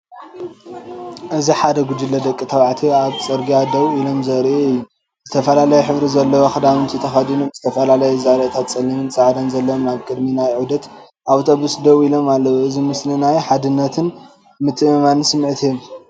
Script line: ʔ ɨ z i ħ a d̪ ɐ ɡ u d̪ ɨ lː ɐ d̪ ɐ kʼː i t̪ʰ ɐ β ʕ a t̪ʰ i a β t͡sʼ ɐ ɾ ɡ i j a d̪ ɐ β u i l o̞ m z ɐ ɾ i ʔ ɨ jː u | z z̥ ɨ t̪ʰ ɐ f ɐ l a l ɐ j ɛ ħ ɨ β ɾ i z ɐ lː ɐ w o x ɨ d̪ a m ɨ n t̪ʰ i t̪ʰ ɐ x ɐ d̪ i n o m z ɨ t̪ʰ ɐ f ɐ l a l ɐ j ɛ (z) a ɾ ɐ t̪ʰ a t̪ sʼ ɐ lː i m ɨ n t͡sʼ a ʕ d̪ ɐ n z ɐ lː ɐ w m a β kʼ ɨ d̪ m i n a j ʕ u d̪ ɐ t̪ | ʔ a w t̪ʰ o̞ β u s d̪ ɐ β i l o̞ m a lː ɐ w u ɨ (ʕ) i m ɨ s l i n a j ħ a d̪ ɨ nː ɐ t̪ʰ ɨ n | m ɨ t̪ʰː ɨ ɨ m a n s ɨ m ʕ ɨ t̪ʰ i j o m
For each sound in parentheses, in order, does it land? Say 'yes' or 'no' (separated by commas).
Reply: yes, no